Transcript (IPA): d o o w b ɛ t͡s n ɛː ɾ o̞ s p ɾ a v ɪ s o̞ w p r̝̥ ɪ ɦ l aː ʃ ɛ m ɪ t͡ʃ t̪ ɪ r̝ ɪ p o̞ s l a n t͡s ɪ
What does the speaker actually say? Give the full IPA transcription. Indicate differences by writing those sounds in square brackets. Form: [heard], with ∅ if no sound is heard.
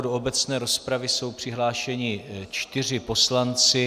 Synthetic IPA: d o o [∅] b ɛ t͡s n ɛː ɾ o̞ s p ɾ a v ɪ s o̞ w p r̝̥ ɪ ɦ l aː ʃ ɛ [ɲ] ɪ t͡ʃ t̪ ɪ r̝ ɪ p o̞ s l a n t͡s ɪ